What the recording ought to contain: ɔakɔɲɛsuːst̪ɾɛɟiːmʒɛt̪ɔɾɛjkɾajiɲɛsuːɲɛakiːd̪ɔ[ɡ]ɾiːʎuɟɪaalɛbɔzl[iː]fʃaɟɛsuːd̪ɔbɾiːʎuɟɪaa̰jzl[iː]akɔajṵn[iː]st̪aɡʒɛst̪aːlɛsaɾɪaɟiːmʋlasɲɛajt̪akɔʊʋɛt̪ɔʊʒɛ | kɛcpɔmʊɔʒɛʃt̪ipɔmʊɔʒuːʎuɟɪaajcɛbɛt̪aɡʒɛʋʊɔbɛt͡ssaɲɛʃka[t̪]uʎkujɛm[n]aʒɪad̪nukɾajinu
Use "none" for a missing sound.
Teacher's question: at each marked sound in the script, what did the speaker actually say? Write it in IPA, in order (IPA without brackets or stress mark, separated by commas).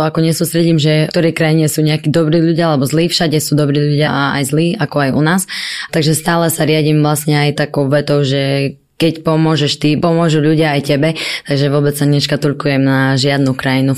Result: b, iː, iː, aː, t̪, n